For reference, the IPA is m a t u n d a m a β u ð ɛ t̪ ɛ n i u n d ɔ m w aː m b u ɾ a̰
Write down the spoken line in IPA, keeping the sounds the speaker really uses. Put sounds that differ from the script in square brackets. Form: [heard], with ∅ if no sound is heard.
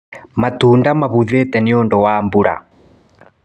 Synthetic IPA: m a t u n d a m a β u ð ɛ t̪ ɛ n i [ɔ] n d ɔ [∅] w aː m b u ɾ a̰